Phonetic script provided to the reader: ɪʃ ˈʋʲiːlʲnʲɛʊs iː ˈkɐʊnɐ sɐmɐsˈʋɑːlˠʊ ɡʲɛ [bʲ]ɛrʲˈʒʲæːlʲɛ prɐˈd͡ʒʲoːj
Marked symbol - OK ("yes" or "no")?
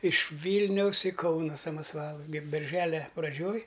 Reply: yes